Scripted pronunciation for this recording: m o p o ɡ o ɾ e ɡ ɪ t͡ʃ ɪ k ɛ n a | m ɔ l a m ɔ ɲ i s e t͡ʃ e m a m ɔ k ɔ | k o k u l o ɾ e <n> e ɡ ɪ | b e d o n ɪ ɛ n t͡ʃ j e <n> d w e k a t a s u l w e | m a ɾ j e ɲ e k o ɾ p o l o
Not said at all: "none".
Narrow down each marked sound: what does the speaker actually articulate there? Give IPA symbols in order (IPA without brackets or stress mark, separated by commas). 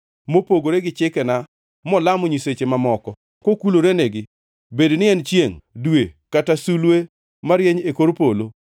n, ŋ